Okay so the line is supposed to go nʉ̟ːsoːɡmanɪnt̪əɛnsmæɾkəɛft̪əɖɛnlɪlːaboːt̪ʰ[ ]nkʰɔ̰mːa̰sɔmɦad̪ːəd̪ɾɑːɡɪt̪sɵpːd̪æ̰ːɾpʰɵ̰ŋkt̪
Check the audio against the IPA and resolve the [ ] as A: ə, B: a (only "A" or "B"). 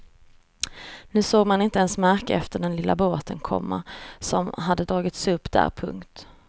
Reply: A